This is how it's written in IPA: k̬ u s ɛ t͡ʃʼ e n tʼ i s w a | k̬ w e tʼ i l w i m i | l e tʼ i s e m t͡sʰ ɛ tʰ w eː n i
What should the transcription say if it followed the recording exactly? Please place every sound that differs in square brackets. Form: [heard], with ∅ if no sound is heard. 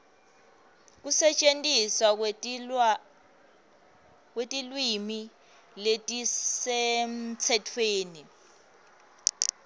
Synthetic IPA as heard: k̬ u s ɛ t͡ʃʼ e n tʼ i s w a | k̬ w e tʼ i l w i m i | l e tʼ i s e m t͡sʰ ɛ tʰ w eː n i